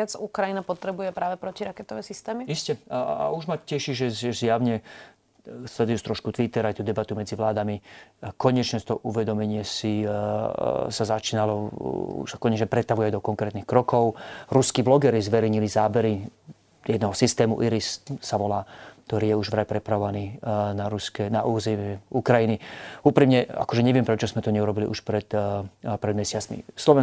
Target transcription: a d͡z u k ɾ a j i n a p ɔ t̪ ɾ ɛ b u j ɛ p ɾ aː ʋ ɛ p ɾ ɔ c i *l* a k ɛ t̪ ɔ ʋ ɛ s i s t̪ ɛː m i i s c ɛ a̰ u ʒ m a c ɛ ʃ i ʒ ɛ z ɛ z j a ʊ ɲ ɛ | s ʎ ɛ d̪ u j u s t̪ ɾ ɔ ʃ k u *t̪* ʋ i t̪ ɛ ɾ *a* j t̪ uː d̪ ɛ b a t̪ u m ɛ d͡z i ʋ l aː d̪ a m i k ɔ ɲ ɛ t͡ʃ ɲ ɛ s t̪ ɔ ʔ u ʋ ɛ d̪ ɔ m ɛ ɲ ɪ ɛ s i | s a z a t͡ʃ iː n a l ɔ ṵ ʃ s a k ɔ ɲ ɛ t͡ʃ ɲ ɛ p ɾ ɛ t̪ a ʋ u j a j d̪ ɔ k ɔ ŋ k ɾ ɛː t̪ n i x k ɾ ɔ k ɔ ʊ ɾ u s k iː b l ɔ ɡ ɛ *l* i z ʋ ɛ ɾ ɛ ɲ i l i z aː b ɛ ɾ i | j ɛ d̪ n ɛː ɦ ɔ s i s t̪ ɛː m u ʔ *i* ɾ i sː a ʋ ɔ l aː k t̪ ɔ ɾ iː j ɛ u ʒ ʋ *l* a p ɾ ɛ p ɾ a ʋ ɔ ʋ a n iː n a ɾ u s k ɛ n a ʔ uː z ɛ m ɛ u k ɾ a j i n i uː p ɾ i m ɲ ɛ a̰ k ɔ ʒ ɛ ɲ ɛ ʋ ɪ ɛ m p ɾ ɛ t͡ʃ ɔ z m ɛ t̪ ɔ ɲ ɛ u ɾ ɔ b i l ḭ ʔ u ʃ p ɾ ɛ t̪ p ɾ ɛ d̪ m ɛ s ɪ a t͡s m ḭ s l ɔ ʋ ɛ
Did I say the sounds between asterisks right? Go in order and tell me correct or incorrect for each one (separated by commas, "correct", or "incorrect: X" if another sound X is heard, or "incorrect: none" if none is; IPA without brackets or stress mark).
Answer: incorrect: ɾ, correct, correct, incorrect: ɾ, correct, incorrect: ɾ